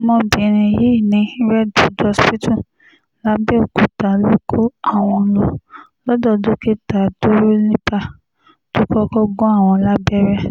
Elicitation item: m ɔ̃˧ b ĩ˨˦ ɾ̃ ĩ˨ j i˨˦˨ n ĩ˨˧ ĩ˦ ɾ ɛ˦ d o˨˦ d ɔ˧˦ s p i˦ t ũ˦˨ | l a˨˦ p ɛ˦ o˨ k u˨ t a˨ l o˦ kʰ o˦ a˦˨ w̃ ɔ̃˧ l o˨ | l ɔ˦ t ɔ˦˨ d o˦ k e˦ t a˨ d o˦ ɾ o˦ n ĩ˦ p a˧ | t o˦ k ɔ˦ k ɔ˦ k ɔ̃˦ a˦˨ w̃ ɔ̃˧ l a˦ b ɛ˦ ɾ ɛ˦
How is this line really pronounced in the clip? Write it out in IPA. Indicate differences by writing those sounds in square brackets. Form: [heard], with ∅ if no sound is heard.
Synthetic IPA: m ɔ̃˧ b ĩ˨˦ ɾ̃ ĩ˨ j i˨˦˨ n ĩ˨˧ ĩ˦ ɾ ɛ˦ d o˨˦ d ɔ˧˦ s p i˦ t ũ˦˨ | l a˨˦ [b] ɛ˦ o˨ k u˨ t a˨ l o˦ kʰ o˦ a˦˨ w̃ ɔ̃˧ l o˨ | l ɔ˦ [d] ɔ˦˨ d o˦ k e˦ t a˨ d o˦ ɾ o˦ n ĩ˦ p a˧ | t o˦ k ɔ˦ k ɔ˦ [ɡ] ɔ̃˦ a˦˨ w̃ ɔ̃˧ l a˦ b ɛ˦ ɾ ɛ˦